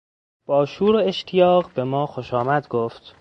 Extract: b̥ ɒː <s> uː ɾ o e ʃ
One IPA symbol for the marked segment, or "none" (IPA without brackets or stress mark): ʃ